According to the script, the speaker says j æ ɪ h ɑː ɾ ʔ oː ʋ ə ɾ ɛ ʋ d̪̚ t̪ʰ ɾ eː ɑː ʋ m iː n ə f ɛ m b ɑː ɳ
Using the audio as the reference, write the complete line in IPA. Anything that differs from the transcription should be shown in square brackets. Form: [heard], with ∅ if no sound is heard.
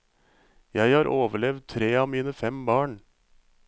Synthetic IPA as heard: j æ ɪ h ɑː ɾ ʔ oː ʋ ə [ɭ] ɛ ʋ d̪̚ t̪ʰ ɾ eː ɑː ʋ m iː n ə f ɛ m b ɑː ɳ